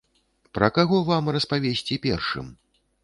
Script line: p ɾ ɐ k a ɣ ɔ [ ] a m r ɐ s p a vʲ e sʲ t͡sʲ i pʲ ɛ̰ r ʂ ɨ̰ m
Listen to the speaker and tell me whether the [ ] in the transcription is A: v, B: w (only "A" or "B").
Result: A